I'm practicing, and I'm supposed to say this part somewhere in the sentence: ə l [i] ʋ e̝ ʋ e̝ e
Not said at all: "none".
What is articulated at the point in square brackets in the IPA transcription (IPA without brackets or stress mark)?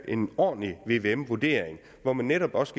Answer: i